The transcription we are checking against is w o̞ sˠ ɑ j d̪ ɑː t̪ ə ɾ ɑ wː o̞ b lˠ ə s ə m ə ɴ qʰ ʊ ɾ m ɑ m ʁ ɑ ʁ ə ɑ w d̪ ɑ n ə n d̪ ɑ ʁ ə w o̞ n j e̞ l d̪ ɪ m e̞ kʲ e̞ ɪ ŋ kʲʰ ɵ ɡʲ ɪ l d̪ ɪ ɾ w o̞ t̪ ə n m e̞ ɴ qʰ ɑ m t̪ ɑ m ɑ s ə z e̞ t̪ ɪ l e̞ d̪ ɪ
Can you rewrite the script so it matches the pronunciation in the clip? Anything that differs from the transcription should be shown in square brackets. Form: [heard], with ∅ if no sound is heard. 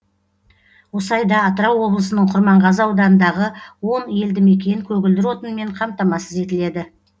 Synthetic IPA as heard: w o̞ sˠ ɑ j d̪ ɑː t̪ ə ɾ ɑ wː o̞ b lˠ ə s ə [n] ə ɴ qʰ ʊ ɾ m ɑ [ɴ] ʁ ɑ [z] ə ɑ w d̪ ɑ n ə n d̪ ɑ ʁ ə w o̞ n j e̞ l d̪ ɪ m e̞ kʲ e̞ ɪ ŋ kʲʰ ɵ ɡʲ ɪ l d̪ ɪ ɾ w o̞ t̪ ə n m e̞ ɴ qʰ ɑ m t̪ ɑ m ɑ s ə z e̞ t̪ ɪ l e̞ d̪ ɪ